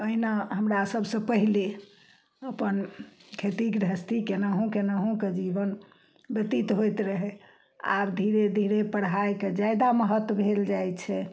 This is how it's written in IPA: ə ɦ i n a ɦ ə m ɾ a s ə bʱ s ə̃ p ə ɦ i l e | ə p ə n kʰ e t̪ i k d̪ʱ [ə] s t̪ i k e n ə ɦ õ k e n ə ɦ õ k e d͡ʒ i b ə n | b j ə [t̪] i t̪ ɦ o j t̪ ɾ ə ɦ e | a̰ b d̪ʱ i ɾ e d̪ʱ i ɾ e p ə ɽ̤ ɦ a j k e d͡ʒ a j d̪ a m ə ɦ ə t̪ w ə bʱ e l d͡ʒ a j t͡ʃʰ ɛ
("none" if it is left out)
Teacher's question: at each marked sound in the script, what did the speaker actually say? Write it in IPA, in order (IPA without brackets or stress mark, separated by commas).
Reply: ə, t̪